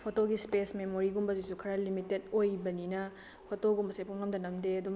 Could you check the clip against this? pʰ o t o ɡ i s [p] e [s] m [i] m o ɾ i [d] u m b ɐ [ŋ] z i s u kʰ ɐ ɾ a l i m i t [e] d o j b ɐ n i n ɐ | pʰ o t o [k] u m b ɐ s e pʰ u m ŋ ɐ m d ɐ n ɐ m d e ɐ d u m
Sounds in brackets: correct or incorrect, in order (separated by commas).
correct, correct, incorrect, incorrect, incorrect, correct, incorrect